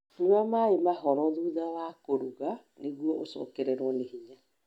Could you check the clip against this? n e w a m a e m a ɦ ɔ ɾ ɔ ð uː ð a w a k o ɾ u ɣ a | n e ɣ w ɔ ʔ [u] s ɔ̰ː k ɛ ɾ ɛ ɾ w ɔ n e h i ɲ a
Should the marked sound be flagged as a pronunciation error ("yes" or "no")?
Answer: yes